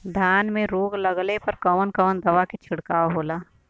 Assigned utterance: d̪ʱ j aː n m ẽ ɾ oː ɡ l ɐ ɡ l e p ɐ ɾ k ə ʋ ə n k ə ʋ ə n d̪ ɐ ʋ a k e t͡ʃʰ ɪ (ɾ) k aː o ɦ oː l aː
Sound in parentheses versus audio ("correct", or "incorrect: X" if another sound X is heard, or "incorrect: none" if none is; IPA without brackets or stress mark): incorrect: ɽ